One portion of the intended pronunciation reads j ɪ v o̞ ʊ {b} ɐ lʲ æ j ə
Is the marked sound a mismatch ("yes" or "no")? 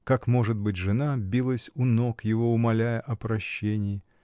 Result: yes